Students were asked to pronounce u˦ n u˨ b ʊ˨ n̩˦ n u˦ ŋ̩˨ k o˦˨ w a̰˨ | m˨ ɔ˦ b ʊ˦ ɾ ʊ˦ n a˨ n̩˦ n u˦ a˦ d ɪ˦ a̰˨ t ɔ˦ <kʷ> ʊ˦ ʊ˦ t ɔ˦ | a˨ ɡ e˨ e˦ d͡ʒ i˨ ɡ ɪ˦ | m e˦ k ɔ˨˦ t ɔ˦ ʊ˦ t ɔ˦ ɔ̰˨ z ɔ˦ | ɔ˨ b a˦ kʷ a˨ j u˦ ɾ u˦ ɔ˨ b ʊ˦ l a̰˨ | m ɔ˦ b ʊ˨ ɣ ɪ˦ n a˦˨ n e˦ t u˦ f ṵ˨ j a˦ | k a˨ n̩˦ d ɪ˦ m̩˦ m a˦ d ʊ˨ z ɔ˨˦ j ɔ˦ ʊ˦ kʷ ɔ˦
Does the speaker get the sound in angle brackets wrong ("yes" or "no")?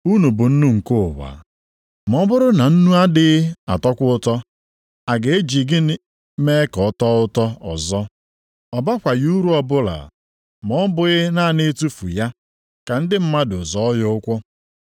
no